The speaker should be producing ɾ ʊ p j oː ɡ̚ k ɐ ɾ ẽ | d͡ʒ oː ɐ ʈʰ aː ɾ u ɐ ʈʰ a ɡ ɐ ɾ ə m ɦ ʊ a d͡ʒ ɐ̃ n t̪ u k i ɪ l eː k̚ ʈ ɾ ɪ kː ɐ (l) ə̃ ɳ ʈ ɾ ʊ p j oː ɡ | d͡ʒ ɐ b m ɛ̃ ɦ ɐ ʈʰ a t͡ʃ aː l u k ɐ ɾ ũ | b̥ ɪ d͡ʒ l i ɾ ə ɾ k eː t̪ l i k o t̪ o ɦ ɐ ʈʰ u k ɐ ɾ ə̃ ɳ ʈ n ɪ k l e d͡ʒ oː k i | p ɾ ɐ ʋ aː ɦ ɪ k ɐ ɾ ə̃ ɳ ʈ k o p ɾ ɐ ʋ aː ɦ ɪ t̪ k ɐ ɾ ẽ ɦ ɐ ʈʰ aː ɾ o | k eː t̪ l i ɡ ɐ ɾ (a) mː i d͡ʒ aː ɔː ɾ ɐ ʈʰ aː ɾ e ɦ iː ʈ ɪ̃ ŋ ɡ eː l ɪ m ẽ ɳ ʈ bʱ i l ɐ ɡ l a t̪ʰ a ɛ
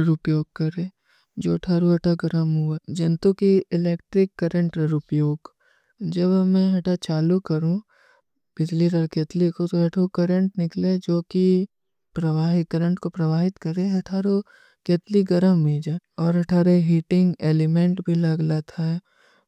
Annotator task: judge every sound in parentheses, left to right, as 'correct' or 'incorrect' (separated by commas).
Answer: incorrect, incorrect